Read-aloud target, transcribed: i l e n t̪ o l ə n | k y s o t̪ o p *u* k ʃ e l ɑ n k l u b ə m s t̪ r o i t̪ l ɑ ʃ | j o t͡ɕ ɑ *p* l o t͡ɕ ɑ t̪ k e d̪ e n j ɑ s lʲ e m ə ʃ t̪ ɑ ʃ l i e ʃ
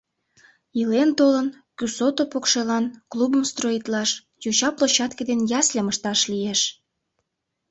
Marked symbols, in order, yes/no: no, yes

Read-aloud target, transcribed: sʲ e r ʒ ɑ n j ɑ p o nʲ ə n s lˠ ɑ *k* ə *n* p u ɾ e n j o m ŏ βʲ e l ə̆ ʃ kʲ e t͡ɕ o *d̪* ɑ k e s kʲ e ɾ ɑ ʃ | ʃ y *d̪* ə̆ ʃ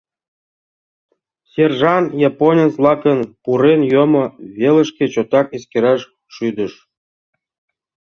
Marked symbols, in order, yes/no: yes, yes, no, yes

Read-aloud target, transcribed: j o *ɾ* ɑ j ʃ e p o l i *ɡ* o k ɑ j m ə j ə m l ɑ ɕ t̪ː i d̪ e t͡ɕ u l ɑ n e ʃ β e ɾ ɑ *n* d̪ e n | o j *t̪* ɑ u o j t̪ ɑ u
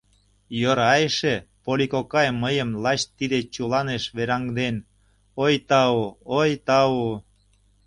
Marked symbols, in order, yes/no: yes, no, no, yes

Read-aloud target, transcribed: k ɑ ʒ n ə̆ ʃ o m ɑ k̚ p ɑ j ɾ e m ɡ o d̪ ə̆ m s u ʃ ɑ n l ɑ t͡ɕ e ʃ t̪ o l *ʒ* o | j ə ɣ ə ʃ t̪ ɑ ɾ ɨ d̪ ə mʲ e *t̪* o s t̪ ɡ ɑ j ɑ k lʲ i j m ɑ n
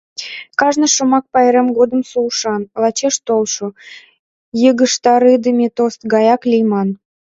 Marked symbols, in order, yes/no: no, yes

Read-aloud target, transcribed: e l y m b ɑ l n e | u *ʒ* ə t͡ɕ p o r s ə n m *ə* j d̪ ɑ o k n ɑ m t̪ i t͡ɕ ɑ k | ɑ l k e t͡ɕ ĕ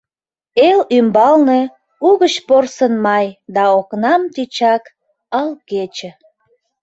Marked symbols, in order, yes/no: no, no

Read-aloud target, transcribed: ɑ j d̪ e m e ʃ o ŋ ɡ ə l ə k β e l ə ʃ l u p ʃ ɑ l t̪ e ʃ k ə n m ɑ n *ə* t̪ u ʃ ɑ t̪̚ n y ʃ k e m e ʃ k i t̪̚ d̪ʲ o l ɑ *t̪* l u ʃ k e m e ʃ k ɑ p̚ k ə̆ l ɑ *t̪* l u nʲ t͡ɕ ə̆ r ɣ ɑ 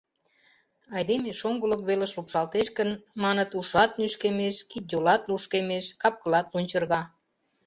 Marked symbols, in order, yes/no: yes, yes, yes

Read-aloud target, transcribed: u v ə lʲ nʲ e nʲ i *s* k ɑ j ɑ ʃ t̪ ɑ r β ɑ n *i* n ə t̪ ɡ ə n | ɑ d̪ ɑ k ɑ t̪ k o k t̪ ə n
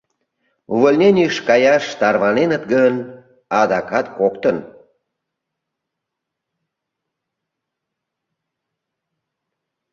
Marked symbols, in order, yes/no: no, no

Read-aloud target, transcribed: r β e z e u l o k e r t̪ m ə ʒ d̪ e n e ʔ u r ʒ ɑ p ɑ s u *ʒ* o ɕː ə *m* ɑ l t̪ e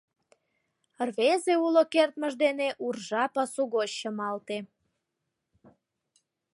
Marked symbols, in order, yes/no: no, yes

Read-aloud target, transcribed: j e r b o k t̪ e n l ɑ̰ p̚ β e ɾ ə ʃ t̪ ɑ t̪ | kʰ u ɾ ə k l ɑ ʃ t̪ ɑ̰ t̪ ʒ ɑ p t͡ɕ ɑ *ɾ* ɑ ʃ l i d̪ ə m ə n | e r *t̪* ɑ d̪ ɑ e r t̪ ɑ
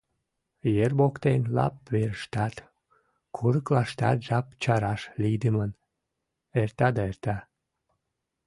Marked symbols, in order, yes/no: yes, yes

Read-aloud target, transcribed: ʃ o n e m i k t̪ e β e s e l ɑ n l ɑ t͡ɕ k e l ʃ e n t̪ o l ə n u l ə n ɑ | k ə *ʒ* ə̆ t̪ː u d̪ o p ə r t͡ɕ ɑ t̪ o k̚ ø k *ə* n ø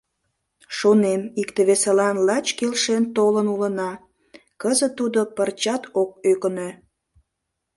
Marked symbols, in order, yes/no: no, yes

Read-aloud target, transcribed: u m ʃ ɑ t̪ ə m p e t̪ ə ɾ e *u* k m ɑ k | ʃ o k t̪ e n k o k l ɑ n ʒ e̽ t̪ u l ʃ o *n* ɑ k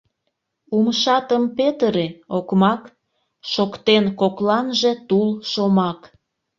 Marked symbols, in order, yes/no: no, no

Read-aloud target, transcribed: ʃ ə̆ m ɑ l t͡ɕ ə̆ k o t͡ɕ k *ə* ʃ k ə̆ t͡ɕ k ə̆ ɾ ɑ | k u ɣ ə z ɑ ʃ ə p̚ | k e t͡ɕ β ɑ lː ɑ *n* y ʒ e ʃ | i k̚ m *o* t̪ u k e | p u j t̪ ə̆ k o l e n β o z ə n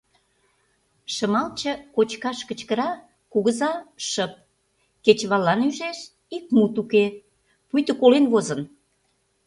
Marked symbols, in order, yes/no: no, yes, no

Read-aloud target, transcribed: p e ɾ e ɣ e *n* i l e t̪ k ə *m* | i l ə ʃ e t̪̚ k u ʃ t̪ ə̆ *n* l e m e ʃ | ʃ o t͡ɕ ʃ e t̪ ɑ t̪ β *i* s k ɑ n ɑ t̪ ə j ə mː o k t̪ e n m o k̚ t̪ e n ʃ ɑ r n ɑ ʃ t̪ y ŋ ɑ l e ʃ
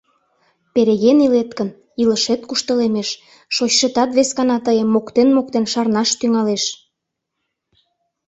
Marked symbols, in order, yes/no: yes, no, no, no

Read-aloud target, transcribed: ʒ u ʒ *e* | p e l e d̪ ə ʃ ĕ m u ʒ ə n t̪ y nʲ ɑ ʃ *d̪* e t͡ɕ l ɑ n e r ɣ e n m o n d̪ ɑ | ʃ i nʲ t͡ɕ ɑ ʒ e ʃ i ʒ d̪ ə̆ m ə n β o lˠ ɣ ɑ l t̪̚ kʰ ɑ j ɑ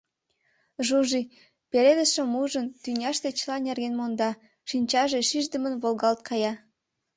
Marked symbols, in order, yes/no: no, no

